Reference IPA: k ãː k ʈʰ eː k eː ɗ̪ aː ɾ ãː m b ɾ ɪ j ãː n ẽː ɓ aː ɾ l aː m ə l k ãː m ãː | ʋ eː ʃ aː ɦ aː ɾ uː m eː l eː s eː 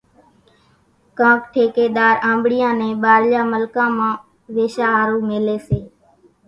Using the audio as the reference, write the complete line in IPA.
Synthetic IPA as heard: k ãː k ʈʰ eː k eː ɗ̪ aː ɾ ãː m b ɽ ɪ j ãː n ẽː ɓ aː ɾ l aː m ə l k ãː m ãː | ʋ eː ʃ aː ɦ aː ɾ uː m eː l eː s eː